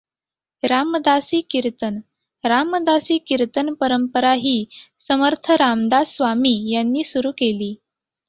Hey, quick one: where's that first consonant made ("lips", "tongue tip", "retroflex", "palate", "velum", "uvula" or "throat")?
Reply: tongue tip